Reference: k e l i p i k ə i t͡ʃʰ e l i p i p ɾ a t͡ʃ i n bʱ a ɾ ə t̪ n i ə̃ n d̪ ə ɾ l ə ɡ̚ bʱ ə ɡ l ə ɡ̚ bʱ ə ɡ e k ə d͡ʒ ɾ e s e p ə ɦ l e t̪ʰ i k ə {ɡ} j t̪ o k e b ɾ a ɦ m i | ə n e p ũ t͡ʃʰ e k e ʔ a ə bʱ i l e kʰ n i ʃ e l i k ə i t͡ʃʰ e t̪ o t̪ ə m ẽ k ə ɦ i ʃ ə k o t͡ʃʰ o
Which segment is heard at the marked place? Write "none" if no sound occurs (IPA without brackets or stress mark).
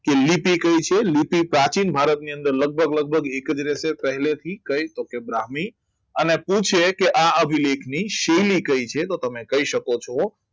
none